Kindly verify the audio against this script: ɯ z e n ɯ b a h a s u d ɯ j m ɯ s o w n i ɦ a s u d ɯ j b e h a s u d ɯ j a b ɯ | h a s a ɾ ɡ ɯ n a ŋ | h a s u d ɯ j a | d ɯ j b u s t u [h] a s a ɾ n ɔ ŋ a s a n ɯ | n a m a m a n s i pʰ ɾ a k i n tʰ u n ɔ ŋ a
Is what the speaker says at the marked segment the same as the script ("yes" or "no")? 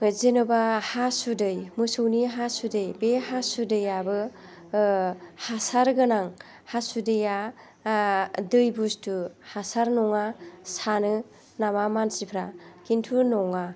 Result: yes